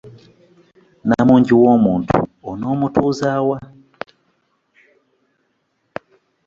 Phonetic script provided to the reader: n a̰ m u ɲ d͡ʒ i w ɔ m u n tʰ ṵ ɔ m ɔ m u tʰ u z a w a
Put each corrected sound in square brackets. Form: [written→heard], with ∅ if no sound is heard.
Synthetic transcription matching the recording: n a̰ m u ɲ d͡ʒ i w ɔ m u n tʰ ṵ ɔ [m→n] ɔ m u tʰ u z a w a